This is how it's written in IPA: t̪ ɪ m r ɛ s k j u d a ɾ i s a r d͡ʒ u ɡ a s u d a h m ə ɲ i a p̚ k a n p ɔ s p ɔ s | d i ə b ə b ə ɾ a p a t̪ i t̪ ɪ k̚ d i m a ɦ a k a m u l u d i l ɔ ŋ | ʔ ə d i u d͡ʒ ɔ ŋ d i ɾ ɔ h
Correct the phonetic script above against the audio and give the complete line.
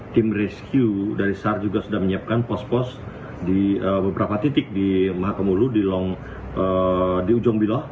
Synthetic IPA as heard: t̪ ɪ m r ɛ s k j u d a ɾ i s a r d͡ʒ u ɡ a s u d a h m ə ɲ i a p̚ k a n p ɔ s p ɔ s | d i ə b ə b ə ɾ a p a t̪ i t̪ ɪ k̚ d i m a ɦ a k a m u l u d i l ɔ ŋ | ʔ ə d i u d͡ʒ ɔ ŋ b i l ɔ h